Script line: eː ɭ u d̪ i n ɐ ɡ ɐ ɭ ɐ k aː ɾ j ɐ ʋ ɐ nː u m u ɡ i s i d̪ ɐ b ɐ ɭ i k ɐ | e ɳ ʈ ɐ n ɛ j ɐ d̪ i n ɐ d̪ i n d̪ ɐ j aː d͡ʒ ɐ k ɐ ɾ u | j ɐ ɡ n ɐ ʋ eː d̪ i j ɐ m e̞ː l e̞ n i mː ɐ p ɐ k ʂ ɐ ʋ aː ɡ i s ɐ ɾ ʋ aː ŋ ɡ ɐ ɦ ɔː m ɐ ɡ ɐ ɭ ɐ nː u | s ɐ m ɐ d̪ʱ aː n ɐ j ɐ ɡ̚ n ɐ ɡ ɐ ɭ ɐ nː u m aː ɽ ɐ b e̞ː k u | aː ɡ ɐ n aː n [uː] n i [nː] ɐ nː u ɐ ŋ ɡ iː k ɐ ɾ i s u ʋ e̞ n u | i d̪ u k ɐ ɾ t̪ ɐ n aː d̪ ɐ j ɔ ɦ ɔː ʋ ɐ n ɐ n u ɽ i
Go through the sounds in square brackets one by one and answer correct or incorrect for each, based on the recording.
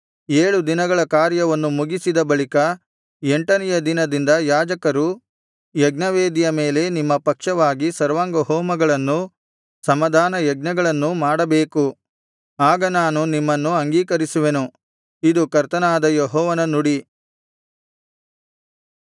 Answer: incorrect: u, incorrect: mː

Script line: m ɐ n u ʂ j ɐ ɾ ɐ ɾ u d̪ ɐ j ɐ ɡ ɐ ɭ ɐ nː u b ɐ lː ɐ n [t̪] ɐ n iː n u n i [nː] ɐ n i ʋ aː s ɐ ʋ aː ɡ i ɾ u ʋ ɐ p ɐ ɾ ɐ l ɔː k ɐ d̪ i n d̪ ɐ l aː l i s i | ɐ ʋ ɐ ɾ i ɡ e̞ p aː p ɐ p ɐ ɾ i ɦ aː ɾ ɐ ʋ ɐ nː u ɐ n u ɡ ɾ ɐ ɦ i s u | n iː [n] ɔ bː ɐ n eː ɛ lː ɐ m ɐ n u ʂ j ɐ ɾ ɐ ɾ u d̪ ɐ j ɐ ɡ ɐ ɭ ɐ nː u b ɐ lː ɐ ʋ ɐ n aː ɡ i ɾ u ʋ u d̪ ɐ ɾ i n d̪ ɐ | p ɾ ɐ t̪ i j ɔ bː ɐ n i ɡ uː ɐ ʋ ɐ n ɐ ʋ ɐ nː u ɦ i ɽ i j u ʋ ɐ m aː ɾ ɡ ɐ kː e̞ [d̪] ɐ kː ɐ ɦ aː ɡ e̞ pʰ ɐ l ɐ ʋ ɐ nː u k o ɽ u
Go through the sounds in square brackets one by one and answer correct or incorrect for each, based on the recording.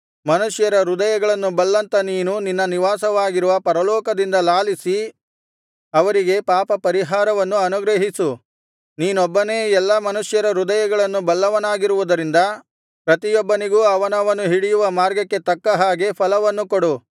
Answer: correct, correct, correct, incorrect: t̪

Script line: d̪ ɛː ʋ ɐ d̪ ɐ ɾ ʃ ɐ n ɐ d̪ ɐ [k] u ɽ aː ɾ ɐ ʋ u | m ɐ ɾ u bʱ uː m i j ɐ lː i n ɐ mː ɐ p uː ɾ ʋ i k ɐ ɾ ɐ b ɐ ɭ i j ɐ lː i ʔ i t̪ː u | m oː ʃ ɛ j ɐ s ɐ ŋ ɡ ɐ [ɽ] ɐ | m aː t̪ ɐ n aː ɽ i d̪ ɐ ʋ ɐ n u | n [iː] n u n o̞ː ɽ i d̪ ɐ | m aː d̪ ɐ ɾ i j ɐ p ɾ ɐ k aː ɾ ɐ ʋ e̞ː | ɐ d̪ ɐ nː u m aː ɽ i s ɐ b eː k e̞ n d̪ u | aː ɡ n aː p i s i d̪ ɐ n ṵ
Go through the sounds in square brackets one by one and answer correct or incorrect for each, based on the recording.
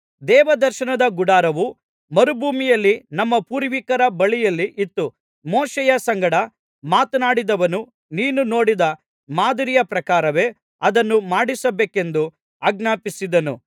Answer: incorrect: ɡ, correct, correct

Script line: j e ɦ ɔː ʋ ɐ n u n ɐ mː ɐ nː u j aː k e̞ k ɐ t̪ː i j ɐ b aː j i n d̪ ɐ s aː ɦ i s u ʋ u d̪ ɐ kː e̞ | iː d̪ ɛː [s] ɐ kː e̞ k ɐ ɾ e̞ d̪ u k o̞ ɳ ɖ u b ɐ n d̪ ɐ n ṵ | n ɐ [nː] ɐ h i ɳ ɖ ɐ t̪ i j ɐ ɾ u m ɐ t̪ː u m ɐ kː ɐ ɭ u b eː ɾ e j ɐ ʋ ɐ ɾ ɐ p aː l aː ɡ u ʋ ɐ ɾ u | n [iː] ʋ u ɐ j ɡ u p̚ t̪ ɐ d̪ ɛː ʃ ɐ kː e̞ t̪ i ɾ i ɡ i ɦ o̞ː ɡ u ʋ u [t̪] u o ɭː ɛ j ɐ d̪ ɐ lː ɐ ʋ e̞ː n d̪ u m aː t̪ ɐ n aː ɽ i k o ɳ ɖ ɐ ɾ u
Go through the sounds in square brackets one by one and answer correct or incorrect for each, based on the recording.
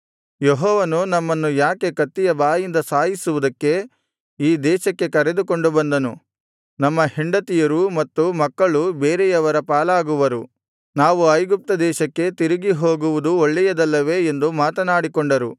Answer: incorrect: ʃ, incorrect: mː, incorrect: aː, incorrect: d̪

